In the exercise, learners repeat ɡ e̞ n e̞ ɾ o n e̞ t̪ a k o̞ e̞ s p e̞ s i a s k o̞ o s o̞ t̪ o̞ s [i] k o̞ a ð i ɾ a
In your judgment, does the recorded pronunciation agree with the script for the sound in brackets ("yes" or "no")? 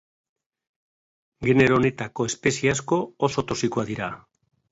yes